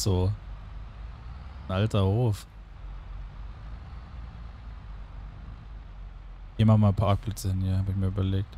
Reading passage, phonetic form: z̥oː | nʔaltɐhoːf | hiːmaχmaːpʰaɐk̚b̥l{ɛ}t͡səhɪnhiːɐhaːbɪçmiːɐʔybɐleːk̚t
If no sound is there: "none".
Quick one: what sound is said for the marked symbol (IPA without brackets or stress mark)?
ɛ